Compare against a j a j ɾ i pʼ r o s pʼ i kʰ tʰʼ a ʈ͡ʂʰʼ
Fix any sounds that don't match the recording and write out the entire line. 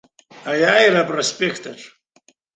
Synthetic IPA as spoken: a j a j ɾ a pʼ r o s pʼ e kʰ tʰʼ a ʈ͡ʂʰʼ